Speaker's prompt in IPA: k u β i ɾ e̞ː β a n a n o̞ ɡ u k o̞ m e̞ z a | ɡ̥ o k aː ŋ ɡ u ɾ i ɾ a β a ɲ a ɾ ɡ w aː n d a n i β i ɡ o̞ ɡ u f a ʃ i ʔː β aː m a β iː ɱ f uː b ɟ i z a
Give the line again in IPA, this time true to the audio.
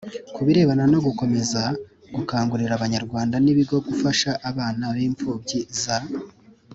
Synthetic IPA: k u β i ɾ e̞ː β a n a n o̞ ɡ u k o̞ m e̞ z a | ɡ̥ u k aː ŋ ɡ u ɾ i ɾ a β a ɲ a ɾ ɡ w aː n d a n i β i ɡ o̞ ɡ u f a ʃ a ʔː β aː n a β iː ɱ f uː b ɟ i z a

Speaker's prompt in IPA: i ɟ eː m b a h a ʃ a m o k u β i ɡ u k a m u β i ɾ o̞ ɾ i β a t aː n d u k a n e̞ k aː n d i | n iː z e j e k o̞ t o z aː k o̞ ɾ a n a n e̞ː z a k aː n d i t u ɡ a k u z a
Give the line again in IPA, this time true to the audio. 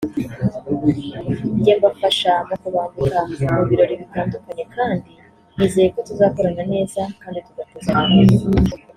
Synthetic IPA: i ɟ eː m b a f a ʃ a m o k u β a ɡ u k a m u β i ɾ o̞ ɾ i β i t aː n d u k a ɲ e̞ k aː n d i | n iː z e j e k o̞ t u z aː k o̞ ɾ a n a n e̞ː z a k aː n d i t u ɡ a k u z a

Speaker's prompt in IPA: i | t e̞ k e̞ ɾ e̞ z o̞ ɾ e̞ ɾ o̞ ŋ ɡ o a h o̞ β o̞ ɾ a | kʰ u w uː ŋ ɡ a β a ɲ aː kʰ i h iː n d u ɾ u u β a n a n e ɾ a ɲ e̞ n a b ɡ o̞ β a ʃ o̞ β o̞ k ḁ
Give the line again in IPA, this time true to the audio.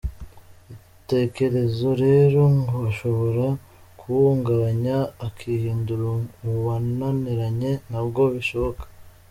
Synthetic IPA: i | t e̞ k e̞ ɾ e̞ z o̞ ɾ e̞ ɾ o̞ ŋ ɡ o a ʃ o̞ β o̞ ɾ a | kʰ u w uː ŋ ɡ a β a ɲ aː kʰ i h iː n d u ɾ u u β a n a n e ɾ a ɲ e̞ n a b ɡ o̞ β i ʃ o̞ β o̞ k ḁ

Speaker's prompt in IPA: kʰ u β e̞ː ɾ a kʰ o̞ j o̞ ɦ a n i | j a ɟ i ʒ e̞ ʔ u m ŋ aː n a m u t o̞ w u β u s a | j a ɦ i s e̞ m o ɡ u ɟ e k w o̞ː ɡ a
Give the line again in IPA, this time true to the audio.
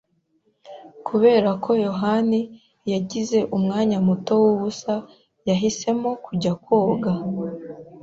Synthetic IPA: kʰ u β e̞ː ɾ a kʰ o̞ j o̞ ɦ a n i | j a ɟ i z e̞ ʔ u m ŋ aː ɲ a m u t o̞ w u β u s a | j a ɦ i s e̞ m o k u ɟ a k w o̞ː ɡ a

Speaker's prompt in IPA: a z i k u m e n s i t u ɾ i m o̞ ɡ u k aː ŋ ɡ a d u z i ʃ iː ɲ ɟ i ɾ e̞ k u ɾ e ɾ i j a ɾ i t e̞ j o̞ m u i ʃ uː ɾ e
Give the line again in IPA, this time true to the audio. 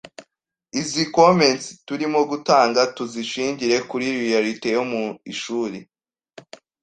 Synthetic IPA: i z i k o m e n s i t u ɾ i m o̞ ɡ u t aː ŋ ɡ a t u z i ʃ iː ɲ ɟ i ɾ e̞ k u ɾ i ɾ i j a ɾ i t e̞ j o̞ m u i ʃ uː ɾ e

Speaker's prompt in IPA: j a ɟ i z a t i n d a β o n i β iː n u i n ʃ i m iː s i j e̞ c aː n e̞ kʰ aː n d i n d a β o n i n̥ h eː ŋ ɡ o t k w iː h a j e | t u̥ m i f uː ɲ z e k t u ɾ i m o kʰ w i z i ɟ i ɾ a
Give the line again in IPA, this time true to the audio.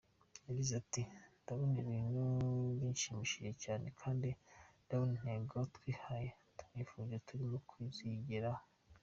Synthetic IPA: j a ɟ i z a t i n d a β o n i β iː n u i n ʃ i m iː ʃ i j e̞ c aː n e̞ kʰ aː n d i n d a β o n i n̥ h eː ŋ ɡ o t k w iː h a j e | t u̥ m i f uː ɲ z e t u ɾ i m o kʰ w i z i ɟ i ɾ a

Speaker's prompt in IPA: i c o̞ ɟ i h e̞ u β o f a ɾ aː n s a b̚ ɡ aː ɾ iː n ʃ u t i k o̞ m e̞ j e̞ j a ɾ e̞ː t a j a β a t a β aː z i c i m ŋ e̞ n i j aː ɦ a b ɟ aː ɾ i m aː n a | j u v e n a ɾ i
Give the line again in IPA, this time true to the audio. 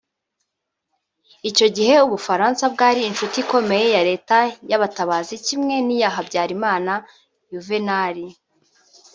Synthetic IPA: i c o̞ ɟ i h e̞ u β u f a ɾ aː n s a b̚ ɡ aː ɾ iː n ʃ u t i k o̞ m e̞ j e̞ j a ɾ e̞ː t a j a β a t a β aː z i c i m ŋ e̞ n i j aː ɦ a b ɟ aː ɾ i m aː n a | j u v e n a ɾ i

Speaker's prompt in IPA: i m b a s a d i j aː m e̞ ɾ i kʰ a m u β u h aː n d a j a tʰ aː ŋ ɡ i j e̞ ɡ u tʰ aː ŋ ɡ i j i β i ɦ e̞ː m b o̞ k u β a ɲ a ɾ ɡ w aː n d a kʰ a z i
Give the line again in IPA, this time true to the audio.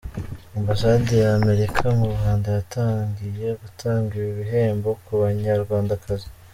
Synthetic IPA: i m b a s a d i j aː m e̞ ɾ i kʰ a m u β u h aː n d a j a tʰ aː ŋ ɡ i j e̞ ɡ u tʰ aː ŋ ɡ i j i β i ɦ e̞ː m b o̞ k u β a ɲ a ɾ ɡ w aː n d a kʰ a z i

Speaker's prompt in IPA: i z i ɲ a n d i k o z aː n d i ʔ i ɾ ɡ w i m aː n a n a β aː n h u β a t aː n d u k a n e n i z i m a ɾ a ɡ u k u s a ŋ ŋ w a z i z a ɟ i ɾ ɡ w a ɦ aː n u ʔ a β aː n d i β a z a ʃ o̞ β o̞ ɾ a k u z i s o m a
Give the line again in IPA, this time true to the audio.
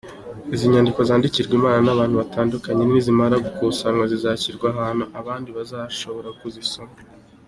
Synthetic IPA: i z i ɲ a n d i k o z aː n d i c i ɾ ɡ w i m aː n a n a β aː n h u β a t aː n d u k a ɲ e n i z i m a ɾ a ɡ u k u s a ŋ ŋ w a z i z a c i ɾ ɡ w a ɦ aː n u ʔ a β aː n d i β a z a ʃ o̞ β o̞ ɾ a k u z i s o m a

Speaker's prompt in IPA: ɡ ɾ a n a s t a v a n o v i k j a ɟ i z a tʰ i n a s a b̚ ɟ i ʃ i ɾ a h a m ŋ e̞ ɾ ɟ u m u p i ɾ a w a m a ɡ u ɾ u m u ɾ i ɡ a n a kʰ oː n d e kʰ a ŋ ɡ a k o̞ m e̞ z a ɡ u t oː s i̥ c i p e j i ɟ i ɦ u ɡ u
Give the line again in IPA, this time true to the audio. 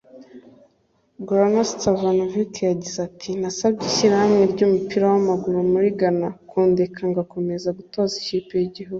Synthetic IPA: ɡ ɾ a n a s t a v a n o v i k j a ɟ i z a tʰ i n a s a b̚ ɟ i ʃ i ɾ a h a m ŋ e̞ ɾ ɟ u m u p i ɾ a w a m a ɡ u ɾ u m u ɾ i ɡ a n a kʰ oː n d e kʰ a ŋ ɡ a k o̞ m e̞ z a ɡ u t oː z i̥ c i p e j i ɟ i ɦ u ɡ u

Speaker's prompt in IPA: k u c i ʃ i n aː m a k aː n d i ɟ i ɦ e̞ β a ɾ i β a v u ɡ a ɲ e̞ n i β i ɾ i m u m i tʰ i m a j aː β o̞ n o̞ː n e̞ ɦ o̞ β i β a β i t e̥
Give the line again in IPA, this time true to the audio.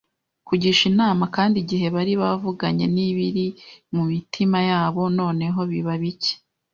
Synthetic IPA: k u ɟ i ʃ i n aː m a k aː n d i ɟ i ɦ e̞ β a ɾ i β a v u ɡ a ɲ e̞ n i β i ɾ i m u m i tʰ i m a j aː β o̞ n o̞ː n e̞ ɦ o̞ β i β a β i c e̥

